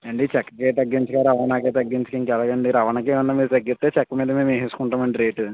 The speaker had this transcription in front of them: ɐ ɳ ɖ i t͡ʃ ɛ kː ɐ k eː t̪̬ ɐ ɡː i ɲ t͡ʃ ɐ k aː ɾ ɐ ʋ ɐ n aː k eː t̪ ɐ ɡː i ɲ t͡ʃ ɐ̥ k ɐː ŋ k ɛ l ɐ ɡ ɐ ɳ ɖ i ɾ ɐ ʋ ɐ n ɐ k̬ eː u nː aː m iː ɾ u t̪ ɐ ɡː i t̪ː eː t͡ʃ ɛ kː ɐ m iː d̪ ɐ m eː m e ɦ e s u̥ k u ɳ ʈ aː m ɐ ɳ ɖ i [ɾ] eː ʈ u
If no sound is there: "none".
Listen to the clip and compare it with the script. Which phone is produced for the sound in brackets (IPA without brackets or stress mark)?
ɾ